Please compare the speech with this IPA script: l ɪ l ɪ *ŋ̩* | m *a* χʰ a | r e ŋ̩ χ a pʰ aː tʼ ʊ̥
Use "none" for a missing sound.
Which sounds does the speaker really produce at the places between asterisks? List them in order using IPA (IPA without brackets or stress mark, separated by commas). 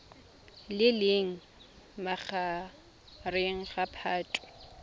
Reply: ŋ̩, a